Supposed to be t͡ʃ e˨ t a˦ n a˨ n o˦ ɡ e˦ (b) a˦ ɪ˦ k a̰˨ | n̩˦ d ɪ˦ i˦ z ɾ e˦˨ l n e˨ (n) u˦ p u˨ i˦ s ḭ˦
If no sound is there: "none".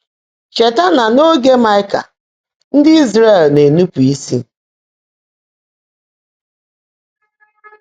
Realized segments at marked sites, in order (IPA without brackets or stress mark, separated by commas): m, n